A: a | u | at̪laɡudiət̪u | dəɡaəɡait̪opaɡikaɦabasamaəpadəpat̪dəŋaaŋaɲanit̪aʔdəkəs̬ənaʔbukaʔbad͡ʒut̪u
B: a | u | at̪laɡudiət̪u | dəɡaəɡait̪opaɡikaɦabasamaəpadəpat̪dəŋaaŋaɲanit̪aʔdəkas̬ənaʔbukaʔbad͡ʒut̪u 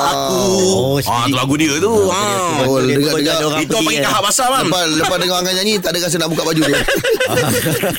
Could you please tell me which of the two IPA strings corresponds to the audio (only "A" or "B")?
B